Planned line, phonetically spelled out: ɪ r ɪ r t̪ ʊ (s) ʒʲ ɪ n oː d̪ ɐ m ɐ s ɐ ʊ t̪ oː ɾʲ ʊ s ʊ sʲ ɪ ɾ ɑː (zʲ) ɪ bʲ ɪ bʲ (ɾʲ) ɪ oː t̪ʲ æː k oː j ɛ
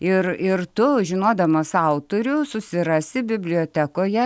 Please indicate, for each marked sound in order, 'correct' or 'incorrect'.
incorrect, incorrect, incorrect

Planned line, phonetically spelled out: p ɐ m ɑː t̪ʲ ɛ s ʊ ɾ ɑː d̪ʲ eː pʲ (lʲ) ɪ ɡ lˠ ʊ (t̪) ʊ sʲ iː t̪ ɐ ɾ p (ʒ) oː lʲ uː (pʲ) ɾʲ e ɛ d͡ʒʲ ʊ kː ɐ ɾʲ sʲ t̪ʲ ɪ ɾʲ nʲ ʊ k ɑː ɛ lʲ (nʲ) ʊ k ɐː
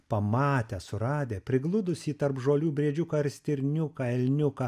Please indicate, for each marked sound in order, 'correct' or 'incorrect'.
incorrect, incorrect, correct, incorrect, correct

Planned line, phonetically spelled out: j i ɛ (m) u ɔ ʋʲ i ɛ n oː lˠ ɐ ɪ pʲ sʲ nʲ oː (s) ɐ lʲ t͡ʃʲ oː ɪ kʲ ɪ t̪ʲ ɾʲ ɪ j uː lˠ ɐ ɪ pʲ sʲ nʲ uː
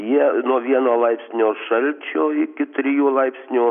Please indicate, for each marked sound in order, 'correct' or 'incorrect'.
incorrect, incorrect

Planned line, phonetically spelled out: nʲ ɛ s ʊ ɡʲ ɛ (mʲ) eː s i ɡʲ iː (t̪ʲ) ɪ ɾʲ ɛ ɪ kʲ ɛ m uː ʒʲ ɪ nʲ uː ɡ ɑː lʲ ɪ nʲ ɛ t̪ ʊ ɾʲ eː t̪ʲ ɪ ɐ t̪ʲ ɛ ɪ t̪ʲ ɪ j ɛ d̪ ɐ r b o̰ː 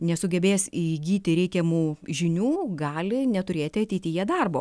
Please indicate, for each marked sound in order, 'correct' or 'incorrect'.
incorrect, correct

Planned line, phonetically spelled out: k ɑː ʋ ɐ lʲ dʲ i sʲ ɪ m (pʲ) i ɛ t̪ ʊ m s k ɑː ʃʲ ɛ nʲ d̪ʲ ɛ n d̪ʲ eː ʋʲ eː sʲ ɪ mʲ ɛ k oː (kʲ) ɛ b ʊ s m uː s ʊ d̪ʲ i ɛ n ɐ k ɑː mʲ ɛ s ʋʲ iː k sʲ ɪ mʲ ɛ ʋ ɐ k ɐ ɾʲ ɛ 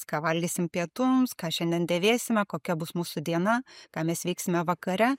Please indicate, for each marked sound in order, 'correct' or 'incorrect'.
correct, correct

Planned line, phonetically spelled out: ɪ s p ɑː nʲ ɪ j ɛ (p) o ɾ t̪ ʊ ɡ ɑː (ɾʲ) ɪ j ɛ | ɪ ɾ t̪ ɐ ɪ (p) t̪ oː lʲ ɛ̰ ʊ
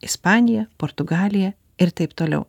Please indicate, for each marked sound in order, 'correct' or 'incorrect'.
correct, incorrect, correct

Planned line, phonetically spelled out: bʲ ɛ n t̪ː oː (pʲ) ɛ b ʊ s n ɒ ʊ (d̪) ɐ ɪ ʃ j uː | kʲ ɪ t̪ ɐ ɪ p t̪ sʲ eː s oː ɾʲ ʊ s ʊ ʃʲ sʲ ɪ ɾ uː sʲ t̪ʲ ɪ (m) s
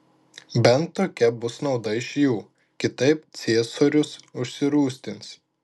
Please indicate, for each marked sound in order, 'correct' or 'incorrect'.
incorrect, correct, incorrect

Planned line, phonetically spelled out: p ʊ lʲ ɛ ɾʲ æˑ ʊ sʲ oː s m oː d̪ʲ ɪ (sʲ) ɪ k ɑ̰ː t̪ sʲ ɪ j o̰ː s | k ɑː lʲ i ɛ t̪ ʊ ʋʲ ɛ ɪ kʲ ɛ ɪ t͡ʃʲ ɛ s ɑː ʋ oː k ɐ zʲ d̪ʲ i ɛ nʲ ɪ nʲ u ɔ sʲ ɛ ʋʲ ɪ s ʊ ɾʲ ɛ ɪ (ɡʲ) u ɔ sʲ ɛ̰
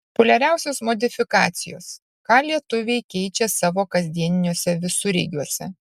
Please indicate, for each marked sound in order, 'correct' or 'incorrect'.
incorrect, correct

